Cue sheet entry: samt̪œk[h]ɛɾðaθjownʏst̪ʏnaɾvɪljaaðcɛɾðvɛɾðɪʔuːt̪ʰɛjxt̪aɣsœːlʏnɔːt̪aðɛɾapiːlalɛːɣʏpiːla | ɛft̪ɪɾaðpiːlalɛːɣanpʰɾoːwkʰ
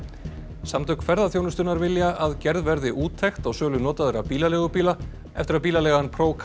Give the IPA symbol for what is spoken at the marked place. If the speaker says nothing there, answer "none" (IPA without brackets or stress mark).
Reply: f